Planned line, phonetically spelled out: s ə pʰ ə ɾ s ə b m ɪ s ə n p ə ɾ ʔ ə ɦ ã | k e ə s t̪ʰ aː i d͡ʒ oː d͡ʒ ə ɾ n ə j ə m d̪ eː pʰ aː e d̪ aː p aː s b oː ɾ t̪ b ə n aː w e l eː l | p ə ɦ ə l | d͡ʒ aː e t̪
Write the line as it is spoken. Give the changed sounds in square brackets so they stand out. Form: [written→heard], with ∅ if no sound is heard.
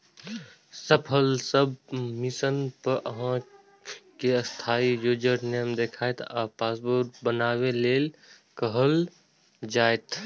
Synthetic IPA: s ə pʰ ə [ɾ→l] s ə b m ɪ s ə n p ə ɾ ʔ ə ɦ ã | k e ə s t̪ʰ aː i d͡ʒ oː d͡ʒ ə ɾ n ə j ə m d̪ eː [pʰ→kʰ] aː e [d̪→t̪] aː p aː s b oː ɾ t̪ b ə n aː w e l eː l | [p→k] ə ɦ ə l | d͡ʒ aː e t̪

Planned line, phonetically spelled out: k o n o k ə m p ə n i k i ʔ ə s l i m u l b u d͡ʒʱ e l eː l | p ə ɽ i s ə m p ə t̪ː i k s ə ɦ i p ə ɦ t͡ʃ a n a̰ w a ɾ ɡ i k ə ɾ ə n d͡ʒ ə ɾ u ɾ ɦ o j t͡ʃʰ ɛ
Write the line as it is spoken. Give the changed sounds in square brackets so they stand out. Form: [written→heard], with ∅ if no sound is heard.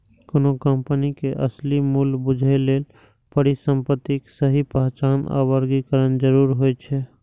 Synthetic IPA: k o n o k ə m p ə n i k [i→e] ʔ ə s l i m u l b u d͡ʒʱ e l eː l | p ə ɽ i s ə m p ə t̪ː i k s ə ɦ i p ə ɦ t͡ʃ a n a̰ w [a→ə] ɾ ɡ i k ə ɾ ə n d͡ʒ ə ɾ u ɾ ɦ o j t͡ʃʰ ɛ

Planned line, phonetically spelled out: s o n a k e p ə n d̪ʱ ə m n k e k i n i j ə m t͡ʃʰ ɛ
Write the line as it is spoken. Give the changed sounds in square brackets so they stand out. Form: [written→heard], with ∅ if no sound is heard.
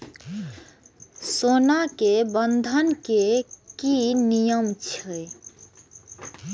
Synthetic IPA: s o n a k e [p→b] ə n d̪ʱ ə [m→∅] n k e k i n i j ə m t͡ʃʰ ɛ

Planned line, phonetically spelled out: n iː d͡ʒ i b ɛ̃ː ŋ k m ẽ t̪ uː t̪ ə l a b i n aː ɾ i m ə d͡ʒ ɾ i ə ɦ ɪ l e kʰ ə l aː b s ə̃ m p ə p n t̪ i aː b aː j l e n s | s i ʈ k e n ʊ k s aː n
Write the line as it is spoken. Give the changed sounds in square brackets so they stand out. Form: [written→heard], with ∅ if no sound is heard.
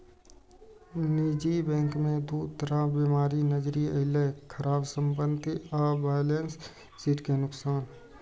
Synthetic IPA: n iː d͡ʒ i b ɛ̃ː ŋ k m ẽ [t̪→d̪] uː t̪ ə [l→ɾ] a b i [n→m] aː ɾ i [m→n] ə d͡ʒ ɾ i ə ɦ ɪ l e kʰ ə [l→ɾ] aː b s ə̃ m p ə [p→∅] n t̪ i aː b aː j l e n s | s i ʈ k e n ʊ k s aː n

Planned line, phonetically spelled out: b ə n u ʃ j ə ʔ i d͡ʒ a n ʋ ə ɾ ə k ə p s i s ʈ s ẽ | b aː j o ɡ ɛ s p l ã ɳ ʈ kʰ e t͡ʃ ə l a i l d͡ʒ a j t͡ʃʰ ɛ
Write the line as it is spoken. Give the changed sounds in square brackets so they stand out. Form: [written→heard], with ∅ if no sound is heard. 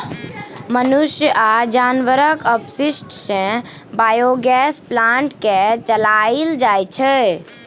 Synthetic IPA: [b→m] ə n u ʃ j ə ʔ [i→a] d͡ʒ a n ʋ ə ɾ ə k ə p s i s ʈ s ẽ | b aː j o ɡ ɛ s p l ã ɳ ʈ [kʰ→k] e t͡ʃ ə l a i l d͡ʒ a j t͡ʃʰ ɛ

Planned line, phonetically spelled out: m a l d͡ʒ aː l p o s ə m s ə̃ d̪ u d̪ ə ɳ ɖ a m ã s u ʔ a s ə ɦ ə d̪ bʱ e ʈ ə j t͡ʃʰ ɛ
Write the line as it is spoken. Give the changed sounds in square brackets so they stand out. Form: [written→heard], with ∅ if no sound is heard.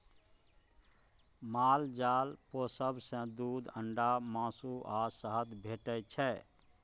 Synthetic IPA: m a l d͡ʒ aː l p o s ə [m→b] s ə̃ d̪ u d̪ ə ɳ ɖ a m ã s u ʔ a s ə ɦ ə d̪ bʱ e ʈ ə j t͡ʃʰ ɛ

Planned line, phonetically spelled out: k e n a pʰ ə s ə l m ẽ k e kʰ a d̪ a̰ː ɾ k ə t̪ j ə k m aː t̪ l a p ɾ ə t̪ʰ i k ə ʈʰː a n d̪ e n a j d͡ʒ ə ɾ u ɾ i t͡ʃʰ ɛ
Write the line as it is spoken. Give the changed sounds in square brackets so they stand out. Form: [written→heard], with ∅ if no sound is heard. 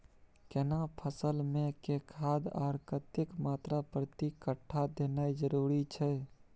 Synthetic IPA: k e n a pʰ ə s ə l m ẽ k e kʰ a d̪ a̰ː ɾ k ə t̪ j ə k m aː t̪ [l→ɾ] a p ɾ ə [t̪ʰ→t̪] i k ə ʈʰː a [n→∅] d̪ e n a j d͡ʒ ə ɾ u ɾ i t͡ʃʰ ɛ

